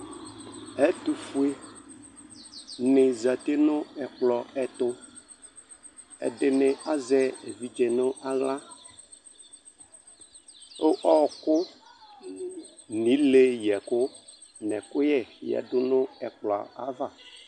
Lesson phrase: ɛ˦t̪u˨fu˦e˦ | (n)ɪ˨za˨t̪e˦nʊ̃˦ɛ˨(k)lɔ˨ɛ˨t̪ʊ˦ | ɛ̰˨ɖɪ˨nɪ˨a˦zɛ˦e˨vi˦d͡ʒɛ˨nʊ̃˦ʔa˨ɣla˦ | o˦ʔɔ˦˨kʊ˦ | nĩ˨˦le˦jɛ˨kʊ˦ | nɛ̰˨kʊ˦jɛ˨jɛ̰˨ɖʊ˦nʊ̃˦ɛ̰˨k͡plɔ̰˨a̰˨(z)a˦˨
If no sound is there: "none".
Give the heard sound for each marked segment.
n, k͡p, v

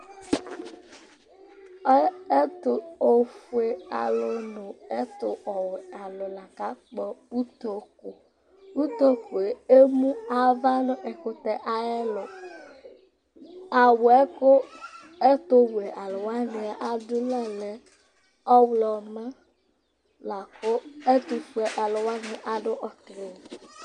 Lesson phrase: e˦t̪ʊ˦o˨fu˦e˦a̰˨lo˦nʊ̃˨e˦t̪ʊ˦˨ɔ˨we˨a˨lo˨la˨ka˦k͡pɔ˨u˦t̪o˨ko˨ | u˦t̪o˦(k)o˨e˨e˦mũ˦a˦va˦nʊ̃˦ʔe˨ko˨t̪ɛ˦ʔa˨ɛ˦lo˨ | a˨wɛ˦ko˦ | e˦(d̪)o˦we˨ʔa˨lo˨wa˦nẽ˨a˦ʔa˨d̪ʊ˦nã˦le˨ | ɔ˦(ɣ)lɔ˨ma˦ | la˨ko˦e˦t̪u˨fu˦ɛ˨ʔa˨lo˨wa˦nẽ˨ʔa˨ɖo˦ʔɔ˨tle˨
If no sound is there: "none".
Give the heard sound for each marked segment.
k, t̪, w

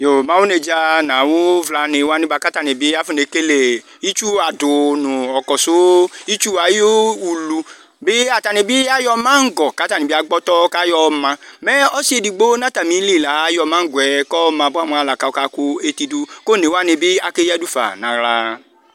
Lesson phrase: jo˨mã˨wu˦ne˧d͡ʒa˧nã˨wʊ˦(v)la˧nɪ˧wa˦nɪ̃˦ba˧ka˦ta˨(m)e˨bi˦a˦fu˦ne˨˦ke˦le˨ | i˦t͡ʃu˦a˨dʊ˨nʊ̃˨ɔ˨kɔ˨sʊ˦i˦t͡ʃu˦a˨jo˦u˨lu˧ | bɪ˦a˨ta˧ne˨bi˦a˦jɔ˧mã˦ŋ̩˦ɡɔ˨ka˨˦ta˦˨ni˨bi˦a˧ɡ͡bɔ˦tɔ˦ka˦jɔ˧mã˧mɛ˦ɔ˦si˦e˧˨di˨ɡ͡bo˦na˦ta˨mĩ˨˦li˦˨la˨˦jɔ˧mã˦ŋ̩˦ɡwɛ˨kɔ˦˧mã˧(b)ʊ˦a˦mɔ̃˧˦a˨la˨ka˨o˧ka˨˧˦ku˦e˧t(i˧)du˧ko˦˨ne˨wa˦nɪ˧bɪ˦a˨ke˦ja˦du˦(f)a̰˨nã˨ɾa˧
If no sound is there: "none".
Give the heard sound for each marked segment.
v, n, b, i˧, f

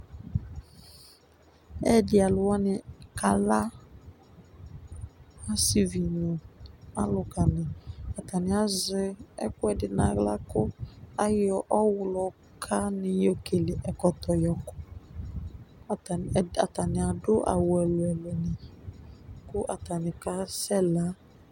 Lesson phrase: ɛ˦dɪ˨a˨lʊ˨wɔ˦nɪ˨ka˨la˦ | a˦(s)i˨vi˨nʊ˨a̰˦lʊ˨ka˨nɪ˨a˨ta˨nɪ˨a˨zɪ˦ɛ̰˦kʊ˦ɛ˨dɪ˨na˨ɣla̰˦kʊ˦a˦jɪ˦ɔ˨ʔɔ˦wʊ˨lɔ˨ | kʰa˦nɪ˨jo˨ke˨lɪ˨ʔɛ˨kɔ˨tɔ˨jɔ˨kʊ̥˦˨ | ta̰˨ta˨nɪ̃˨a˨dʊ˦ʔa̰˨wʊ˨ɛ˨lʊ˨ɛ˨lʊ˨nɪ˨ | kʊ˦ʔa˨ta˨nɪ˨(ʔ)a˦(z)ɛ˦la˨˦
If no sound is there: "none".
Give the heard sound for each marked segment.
s, k, s

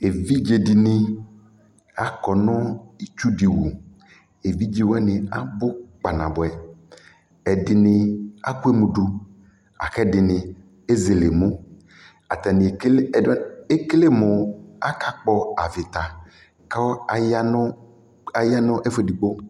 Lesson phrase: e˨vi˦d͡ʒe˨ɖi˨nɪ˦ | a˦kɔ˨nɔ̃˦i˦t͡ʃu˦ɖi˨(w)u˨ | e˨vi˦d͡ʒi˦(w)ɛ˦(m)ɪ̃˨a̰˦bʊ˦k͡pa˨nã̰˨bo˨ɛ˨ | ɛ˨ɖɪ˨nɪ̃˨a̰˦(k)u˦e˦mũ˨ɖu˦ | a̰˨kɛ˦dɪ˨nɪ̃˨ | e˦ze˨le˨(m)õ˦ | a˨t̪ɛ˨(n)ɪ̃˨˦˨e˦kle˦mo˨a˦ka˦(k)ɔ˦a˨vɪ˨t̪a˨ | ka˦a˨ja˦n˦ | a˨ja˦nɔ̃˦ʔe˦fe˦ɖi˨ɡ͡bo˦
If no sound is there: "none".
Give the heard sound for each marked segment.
w, w, n, k, m, n, k͡p

